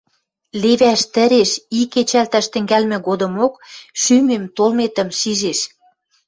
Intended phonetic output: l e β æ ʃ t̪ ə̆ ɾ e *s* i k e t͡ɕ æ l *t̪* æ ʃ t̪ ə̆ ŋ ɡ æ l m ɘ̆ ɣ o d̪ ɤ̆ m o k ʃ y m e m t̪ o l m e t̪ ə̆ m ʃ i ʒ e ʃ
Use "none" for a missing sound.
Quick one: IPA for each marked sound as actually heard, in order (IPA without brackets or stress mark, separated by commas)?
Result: ʃ, t̪